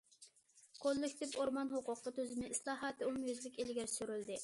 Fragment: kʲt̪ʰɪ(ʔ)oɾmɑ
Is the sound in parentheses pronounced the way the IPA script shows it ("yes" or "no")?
no